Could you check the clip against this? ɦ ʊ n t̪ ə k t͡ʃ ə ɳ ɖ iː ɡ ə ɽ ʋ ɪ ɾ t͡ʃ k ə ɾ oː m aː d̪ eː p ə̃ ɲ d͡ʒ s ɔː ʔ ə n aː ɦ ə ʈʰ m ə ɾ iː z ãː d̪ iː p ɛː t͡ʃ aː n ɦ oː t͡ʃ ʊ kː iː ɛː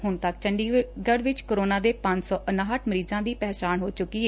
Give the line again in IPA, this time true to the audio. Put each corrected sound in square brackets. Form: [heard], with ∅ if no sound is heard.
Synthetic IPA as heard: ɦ ʊ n t̪ ə k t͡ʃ ə ɳ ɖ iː ɡ ə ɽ ʋ ɪ [∅] t͡ʃ k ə ɾ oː [n] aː d̪ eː p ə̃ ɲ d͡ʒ s ɔː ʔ ə n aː ɦ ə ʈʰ m ə ɾ iː z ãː d̪ iː p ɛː t͡ʃ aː n ɦ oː t͡ʃ ʊ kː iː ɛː

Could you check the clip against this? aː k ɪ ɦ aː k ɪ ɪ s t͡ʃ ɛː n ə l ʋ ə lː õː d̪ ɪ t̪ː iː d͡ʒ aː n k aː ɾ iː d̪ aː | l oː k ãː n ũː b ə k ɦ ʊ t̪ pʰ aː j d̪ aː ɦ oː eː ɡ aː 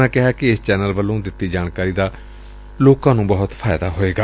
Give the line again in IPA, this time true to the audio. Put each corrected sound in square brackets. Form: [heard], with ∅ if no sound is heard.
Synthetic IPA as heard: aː k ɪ ɦ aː k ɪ ɪ s t͡ʃ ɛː n ə l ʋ ə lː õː d̪ ɪ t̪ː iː d͡ʒ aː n k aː ɾ iː d̪ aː | l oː k ãː n ũː b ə [∅] ɦ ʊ t̪ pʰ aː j d̪ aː ɦ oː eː ɡ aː

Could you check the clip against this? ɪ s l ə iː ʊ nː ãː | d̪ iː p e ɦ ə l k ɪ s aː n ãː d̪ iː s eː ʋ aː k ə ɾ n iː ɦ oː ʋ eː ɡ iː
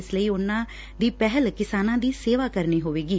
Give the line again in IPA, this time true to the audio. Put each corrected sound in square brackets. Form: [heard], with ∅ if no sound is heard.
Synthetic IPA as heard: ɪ s l ə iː ʊ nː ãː | d̪ iː p [ɛ] ɦ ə l k ɪ s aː n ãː d̪ iː s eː ʋ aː k ə ɾ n iː ɦ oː ʋ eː ɡ iː

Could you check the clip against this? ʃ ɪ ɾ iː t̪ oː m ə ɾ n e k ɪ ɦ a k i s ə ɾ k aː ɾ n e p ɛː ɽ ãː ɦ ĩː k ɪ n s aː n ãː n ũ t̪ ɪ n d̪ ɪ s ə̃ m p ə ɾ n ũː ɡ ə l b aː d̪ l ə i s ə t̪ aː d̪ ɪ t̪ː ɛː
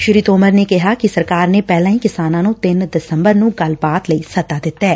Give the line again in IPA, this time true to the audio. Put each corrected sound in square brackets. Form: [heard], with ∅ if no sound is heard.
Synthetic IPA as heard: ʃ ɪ ɾ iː t̪ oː m ə ɾ n e k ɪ ɦ a k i s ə ɾ k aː ɾ n e p ɛː [l] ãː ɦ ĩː k ɪ [∅] s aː n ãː n ũ t̪ ɪ n d̪ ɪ s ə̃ m [b] ə ɾ n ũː ɡ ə l b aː [t̪] l ə i s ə t̪ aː d̪ ɪ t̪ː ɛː

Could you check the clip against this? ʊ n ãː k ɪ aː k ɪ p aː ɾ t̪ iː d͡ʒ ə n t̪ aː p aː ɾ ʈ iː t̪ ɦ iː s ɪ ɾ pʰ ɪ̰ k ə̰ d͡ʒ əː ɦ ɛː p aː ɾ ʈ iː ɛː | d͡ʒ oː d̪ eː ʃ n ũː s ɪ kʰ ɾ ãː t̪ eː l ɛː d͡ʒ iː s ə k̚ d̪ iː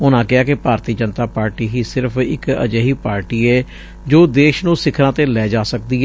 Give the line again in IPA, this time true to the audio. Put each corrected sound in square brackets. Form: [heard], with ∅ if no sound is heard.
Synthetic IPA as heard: ʊ n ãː k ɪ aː k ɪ p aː ɾ t̪ iː d͡ʒ ə n t̪ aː p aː ɾ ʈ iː [∅] ɦ iː s ɪ ɾ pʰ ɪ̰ k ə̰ d͡ʒ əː ɦ [iː] p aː ɾ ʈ iː ɛː | d͡ʒ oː d̪ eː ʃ n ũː s ɪ kʰ ɾ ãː t̪ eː l ɛː d͡ʒ [aː] s ə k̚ d̪ iː

